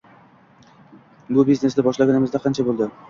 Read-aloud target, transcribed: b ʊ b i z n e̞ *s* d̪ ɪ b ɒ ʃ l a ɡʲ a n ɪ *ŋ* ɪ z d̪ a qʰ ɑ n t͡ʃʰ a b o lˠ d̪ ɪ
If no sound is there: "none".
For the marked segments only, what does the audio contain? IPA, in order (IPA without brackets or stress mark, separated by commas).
s, m